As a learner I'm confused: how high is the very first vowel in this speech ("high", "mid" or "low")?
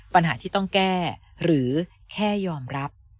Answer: low